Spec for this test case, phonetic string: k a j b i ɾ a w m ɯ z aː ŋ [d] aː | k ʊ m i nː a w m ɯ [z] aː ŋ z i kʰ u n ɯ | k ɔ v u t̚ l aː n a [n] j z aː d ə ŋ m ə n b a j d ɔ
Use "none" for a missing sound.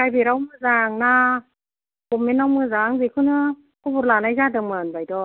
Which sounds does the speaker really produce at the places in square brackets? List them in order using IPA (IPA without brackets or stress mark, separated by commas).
n, z, none